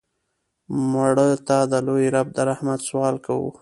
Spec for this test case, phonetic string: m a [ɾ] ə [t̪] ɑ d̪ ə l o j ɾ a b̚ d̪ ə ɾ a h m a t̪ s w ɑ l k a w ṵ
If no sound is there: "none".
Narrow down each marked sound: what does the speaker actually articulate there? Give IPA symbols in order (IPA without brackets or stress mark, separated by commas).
ɽ, t̪